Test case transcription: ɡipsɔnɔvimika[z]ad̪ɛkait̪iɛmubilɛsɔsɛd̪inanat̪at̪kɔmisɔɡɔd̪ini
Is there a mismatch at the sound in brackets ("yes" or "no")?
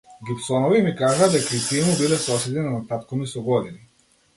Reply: yes